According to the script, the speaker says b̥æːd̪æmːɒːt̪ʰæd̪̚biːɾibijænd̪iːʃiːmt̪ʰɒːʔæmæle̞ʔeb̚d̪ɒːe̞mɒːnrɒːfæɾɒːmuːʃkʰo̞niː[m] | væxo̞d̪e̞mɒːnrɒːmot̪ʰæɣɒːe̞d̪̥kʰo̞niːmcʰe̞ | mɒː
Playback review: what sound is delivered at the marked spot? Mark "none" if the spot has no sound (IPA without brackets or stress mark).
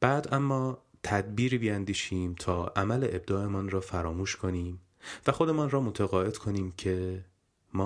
m